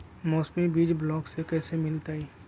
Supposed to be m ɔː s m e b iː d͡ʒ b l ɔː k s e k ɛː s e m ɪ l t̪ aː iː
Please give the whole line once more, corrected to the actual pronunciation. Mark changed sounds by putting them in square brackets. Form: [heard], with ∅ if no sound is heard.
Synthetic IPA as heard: m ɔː s m [i] b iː d͡ʒ b l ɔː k s e k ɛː s e m ɪ l t̪ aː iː

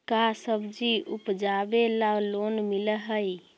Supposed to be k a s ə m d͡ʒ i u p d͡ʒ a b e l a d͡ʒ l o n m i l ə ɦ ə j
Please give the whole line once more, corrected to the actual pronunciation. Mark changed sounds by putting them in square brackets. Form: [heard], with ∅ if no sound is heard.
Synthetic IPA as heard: k a s ə [b] d͡ʒ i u p d͡ʒ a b e l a [∅] l o n m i l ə ɦ ə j

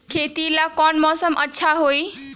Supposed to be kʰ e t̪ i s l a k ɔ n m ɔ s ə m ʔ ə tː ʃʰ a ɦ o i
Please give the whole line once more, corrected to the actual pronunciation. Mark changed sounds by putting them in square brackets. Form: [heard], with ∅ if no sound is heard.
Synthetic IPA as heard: kʰ e t̪ i [∅] l a k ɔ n m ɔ s ə m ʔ ə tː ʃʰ a ɦ o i

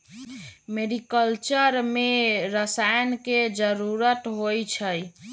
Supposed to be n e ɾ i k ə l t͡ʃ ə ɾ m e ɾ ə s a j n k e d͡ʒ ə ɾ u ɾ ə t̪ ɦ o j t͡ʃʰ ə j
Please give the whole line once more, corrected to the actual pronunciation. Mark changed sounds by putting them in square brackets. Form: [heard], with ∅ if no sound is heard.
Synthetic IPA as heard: [m] e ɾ i k ə l t͡ʃ ə ɾ m e ɾ ə s a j n k e d͡ʒ ə ɾ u ɾ ə t̪ ɦ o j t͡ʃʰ ə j

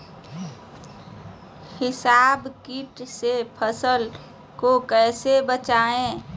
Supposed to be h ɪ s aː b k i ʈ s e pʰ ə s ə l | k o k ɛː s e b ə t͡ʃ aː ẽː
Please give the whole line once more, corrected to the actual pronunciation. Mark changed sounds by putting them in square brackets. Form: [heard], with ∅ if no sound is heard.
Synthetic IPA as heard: h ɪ s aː b k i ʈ s e pʰ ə s ə l | k o k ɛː s e b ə t͡ʃ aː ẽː

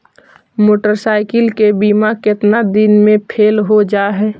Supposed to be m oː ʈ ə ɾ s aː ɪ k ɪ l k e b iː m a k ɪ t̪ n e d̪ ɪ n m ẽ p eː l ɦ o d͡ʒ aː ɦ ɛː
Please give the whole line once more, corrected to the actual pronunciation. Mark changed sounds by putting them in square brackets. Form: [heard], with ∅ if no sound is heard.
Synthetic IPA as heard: m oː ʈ ə ɾ s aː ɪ k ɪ l k e b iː m a k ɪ t̪ n [a] d̪ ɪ n m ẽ [pʰ] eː l ɦ o d͡ʒ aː ɦ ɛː

